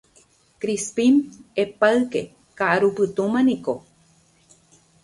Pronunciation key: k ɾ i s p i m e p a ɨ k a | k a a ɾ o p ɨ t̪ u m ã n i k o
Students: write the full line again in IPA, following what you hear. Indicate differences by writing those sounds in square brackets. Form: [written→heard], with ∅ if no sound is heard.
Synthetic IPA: k ɾ i s p i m e p a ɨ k [a→e] | k a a ɾ [o→u] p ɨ t̪ u m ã n i k o

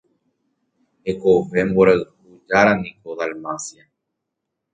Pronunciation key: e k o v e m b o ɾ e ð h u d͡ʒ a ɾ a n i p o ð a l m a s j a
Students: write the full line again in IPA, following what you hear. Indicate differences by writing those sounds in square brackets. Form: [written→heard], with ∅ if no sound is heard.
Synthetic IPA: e k o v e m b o ɾ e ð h u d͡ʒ a ɾ a n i [p→k] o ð a l m a s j a

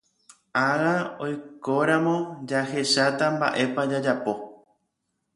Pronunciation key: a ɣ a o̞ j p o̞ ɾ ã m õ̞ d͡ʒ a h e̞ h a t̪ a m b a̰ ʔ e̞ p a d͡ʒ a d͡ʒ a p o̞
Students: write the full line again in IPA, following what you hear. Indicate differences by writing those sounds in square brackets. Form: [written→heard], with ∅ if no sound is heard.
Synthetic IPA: a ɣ a o̞ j [p→k] o̞ ɾ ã m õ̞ d͡ʒ a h e̞ [h→ʃ] a t̪ a m b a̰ ʔ e̞ p a d͡ʒ a d͡ʒ a p o̞

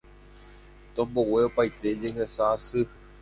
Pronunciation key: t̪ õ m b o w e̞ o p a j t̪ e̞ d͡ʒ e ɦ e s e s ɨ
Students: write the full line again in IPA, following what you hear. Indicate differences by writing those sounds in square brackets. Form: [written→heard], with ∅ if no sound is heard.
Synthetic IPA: t̪ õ m b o w e̞ o p a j t̪ e̞ d͡ʒ e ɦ e s [e→a] s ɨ

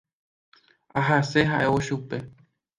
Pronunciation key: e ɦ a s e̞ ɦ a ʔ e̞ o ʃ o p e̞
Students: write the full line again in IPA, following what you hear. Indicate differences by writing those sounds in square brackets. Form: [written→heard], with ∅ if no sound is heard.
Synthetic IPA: [e→a] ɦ a s e̞ ɦ a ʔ e̞ o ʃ [o→u] p e̞

